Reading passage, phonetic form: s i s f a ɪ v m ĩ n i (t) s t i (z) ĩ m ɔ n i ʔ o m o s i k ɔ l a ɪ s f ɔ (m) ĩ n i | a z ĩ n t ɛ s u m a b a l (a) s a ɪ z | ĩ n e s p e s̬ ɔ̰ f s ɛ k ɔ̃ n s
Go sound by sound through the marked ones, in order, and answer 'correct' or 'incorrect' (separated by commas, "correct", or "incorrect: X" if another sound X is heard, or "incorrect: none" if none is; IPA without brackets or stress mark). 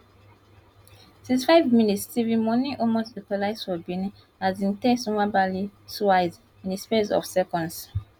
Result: correct, incorrect: v, incorrect: b, incorrect: i